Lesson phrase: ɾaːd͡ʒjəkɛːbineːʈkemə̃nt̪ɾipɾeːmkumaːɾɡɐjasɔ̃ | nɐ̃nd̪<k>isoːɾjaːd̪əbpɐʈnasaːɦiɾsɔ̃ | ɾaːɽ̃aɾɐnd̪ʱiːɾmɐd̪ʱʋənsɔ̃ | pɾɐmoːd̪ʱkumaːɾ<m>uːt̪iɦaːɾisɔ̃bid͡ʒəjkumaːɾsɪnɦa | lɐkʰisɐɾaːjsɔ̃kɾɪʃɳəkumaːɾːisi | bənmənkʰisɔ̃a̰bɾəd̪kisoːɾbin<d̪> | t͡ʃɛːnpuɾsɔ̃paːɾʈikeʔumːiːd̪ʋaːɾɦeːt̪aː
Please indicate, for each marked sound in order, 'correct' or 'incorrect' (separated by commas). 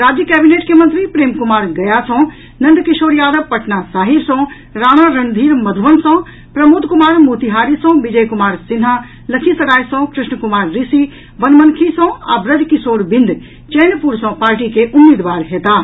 correct, correct, correct